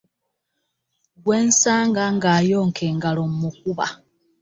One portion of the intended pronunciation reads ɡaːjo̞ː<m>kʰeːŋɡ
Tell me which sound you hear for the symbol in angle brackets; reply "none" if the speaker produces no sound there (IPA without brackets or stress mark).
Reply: ŋ